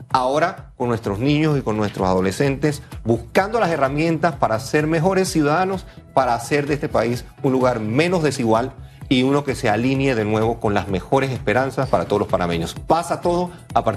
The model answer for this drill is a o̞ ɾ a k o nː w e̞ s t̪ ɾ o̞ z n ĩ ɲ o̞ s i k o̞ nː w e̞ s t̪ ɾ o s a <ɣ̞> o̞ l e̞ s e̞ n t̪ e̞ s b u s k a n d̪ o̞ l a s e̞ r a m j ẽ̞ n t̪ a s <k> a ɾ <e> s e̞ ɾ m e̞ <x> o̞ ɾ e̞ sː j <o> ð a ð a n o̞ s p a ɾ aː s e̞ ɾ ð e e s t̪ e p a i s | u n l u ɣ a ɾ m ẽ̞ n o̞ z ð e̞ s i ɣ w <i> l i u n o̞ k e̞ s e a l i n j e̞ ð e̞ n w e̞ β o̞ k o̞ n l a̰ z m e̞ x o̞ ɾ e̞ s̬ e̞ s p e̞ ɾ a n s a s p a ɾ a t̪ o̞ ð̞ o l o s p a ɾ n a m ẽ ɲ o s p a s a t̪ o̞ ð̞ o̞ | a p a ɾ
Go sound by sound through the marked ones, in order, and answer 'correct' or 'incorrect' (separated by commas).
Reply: incorrect, incorrect, incorrect, correct, incorrect, incorrect